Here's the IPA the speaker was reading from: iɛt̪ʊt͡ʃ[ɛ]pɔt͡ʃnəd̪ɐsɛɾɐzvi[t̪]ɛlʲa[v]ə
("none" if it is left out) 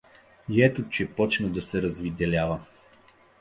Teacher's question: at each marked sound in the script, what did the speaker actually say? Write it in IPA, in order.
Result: ɛ, d̪, v

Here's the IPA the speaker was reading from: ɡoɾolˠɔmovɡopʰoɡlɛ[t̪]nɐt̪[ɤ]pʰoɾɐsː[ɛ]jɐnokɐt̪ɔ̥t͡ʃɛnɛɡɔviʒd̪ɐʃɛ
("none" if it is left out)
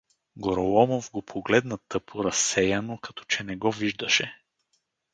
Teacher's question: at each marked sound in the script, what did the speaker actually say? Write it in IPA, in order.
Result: d̪, ɤ, ɛ

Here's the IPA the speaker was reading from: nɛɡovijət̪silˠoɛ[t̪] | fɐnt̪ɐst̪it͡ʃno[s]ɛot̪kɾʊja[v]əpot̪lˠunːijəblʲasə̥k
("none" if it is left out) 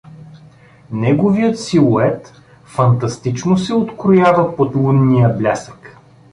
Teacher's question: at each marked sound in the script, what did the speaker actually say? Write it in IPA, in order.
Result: t̪, s, v

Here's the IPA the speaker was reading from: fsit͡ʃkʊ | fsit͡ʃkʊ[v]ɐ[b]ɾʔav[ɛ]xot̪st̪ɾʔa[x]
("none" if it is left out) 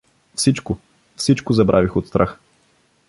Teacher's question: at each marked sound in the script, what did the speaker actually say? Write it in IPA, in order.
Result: z, b, i, x

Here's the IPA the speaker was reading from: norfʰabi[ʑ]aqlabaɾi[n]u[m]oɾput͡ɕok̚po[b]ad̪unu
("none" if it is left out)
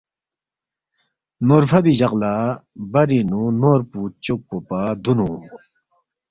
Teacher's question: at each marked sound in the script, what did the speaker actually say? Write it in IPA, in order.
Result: ʑ, n, n, p

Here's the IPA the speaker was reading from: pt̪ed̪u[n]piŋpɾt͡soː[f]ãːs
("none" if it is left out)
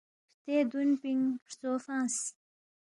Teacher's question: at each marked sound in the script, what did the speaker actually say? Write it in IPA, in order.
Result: n, f

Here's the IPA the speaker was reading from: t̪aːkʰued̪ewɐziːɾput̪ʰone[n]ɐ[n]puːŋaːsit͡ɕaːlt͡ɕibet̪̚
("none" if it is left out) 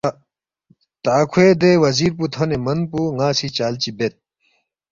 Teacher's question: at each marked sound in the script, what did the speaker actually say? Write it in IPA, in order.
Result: m, n

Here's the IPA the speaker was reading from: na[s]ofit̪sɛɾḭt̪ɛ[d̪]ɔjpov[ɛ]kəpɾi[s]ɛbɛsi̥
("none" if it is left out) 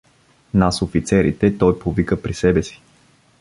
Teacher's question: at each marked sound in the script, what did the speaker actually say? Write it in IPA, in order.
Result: s, t̪, i, s

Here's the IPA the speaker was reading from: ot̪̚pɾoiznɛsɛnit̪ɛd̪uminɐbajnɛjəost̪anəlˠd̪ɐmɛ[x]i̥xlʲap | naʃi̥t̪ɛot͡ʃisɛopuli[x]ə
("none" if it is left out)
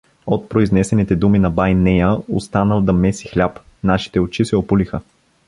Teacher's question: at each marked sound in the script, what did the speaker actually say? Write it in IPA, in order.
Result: s, x

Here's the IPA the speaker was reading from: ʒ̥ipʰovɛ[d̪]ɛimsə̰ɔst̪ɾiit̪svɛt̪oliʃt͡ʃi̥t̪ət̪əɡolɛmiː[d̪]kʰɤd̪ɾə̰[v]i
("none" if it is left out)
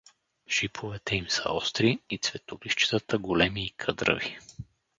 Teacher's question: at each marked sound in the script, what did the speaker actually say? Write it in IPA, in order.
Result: t̪, none, v

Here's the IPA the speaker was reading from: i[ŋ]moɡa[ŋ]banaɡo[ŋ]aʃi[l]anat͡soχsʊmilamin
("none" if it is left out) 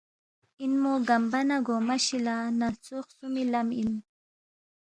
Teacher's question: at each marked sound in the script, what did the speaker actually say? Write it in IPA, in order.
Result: n, m, m, l

